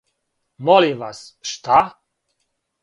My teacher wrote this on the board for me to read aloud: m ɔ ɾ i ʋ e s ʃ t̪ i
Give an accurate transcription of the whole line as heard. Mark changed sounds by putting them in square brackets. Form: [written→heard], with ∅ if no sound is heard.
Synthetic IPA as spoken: m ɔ [ɾ→l] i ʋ [e→a] s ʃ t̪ [i→a]